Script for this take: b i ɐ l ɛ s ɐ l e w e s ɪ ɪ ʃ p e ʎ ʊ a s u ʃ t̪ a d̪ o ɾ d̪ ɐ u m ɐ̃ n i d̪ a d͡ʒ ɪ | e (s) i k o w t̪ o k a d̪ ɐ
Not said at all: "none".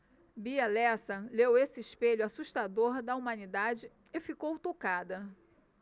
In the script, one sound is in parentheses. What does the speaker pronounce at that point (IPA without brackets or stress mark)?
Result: f